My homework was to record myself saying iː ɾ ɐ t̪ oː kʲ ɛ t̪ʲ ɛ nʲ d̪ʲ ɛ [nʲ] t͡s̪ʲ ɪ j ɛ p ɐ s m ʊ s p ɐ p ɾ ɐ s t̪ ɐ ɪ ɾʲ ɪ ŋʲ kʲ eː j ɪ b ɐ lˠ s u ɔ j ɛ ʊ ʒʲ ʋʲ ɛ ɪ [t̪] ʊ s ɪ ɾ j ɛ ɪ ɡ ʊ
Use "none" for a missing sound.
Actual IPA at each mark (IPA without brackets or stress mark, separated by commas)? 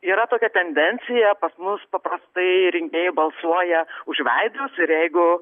nʲ, d̪